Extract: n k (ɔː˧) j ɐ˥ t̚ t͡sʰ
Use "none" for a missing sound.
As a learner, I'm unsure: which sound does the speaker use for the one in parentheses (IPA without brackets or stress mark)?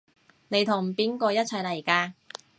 ɔː˧